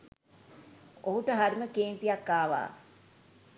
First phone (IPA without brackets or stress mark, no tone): o